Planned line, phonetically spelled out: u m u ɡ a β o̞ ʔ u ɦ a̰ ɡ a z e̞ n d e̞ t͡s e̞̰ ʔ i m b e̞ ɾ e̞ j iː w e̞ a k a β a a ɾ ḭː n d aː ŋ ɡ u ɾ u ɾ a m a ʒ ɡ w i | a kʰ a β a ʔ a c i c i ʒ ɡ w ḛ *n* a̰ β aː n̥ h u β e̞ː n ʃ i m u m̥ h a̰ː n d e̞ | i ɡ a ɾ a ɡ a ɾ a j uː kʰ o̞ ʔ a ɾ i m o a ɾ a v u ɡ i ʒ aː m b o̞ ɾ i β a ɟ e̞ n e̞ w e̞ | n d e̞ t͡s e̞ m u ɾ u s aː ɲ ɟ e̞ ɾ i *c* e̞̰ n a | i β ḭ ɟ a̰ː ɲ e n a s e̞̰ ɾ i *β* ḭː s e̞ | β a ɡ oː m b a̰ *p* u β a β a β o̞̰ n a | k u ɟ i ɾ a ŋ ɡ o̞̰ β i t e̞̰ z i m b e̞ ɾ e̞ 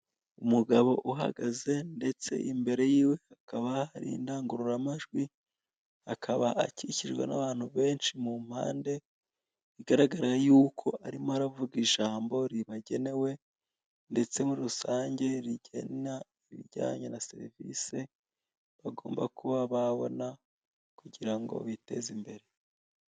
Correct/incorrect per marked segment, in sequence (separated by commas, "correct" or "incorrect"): correct, incorrect, incorrect, incorrect